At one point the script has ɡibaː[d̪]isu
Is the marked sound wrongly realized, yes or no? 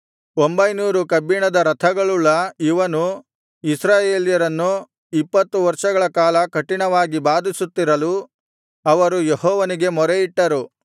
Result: no